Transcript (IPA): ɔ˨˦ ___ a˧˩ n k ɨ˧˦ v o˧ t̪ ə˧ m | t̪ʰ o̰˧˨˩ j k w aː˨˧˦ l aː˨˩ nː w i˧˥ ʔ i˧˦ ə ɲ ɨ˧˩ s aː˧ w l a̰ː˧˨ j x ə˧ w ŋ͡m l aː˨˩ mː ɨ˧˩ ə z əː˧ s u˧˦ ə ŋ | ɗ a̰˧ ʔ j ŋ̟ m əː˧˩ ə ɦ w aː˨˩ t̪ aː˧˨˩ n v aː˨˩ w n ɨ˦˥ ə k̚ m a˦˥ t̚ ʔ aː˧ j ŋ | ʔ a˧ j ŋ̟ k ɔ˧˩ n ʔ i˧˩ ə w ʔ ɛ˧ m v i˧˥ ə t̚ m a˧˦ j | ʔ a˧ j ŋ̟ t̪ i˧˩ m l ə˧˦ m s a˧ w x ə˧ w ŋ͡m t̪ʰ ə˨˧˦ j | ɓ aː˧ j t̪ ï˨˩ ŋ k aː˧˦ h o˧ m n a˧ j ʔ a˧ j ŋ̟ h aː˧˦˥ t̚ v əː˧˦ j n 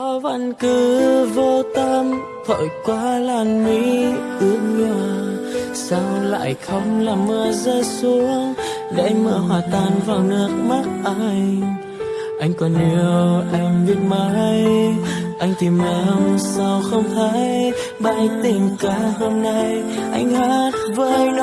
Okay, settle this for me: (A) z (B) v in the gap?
B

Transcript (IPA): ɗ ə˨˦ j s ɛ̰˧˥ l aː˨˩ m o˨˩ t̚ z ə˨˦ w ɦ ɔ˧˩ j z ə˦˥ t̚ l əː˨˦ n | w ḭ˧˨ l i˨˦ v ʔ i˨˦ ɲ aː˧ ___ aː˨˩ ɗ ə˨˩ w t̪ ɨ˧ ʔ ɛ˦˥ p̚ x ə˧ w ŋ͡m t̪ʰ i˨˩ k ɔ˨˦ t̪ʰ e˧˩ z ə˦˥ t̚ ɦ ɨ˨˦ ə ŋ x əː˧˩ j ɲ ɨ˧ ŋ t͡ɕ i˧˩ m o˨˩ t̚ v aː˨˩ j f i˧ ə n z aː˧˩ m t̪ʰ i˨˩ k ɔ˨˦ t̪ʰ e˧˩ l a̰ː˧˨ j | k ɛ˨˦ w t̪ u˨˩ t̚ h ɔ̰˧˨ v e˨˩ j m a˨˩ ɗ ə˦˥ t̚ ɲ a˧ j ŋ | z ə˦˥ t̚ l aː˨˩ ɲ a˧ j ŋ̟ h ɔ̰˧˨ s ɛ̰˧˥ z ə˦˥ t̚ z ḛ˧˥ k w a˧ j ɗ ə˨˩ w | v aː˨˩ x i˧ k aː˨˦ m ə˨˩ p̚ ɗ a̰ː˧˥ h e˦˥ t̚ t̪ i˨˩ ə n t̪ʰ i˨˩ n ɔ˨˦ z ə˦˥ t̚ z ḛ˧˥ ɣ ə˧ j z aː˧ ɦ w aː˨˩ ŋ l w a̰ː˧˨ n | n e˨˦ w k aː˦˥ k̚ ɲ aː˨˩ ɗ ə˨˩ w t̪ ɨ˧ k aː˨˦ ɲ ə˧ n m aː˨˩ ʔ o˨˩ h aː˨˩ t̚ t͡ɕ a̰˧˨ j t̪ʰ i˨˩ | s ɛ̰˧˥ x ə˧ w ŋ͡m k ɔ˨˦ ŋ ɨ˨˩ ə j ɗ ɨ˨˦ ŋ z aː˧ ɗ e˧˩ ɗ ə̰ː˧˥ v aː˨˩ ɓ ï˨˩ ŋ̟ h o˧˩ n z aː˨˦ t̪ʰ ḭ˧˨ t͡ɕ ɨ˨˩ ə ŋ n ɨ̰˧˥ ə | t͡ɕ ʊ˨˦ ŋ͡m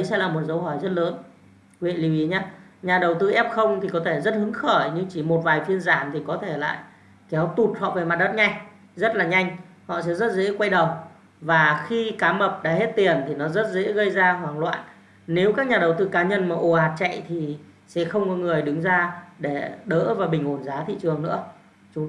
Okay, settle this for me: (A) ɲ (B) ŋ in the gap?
A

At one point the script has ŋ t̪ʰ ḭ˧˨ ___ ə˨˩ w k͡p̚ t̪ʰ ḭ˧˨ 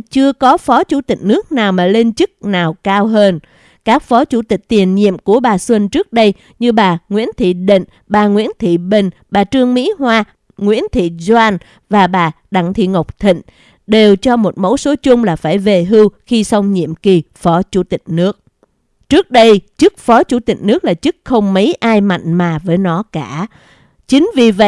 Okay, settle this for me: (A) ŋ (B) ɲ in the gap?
A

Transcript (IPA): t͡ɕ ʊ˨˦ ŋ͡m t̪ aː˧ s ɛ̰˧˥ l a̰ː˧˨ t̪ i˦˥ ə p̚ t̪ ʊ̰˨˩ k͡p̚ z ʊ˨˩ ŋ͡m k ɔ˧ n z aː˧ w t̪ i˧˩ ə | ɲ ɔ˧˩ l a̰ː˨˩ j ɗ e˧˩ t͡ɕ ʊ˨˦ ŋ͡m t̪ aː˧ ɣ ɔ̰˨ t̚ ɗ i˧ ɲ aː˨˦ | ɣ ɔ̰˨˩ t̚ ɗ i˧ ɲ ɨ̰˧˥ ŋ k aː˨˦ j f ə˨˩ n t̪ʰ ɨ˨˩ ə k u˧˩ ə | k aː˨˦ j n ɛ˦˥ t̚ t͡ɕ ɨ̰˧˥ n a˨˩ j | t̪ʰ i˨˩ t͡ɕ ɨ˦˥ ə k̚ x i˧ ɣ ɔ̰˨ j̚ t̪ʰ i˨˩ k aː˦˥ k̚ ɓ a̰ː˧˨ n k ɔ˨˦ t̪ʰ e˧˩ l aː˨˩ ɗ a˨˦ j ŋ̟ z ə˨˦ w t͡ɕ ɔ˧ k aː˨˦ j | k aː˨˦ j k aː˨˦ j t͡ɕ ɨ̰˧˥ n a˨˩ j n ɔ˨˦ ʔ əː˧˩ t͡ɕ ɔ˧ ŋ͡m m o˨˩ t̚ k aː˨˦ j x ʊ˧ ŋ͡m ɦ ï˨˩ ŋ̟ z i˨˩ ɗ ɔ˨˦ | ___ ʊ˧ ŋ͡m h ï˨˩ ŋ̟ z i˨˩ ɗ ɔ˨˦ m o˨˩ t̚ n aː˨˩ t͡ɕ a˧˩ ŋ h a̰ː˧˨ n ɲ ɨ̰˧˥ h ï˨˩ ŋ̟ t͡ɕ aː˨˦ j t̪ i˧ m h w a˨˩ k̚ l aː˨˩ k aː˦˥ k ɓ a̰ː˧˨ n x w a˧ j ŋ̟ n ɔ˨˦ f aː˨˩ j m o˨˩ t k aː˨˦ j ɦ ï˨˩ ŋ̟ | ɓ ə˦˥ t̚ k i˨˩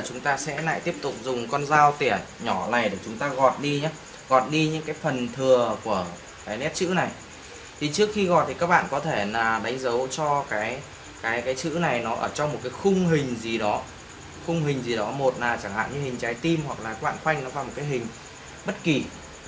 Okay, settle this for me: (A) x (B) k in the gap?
A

